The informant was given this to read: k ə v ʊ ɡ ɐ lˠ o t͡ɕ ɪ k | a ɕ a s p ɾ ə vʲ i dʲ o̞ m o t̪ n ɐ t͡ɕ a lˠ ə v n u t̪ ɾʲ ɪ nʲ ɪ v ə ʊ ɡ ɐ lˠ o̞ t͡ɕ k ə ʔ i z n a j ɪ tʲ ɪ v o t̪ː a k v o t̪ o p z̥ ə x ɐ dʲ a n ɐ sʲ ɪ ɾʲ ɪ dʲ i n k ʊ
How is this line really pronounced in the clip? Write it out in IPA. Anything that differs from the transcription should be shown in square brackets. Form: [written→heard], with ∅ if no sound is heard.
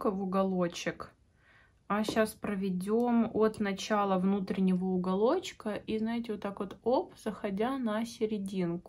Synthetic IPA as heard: k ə v ʊ ɡ ɐ lˠ o t͡ɕ ɪ k | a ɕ a s p ɾ ə vʲ [i→ɪ] dʲ o̞ m o t̪ n ɐ t͡ɕ a lˠ ə v n u t̪ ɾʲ ɪ nʲ ɪ v ə ʊ ɡ ɐ lˠ o̞ t͡ɕ k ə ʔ i z n a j ɪ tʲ ɪ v o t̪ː a k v o t̪ o p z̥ ə x ɐ dʲ a n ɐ sʲ ɪ ɾʲ ɪ dʲ i n k ʊ